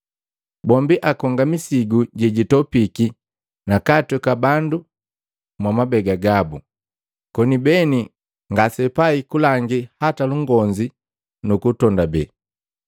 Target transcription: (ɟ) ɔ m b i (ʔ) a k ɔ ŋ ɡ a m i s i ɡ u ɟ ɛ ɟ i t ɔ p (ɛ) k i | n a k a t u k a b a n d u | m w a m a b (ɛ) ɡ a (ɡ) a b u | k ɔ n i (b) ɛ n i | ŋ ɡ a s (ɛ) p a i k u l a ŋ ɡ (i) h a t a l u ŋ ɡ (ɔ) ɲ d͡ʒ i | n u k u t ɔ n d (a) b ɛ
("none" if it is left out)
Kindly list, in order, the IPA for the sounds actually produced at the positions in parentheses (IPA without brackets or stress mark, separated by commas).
b, ʔ, i, ɛ, ɡ, b, ɛ, i, ɔ, a